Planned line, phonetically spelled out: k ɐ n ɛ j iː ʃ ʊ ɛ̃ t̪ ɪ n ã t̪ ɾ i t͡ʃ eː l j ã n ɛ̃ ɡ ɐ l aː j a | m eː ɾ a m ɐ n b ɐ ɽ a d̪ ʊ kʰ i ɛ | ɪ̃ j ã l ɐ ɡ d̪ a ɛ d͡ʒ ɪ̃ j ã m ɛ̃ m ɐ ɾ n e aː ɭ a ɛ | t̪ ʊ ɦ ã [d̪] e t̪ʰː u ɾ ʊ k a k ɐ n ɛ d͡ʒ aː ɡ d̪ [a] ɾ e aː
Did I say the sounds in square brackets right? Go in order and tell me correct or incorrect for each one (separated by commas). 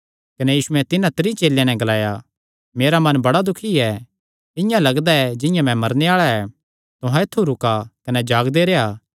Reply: incorrect, incorrect